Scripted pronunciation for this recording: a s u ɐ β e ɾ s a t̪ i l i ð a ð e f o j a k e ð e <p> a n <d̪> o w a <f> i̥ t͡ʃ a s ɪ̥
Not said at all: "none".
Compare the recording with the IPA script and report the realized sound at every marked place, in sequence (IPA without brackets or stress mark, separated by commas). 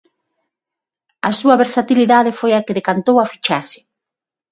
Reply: k, t̪, f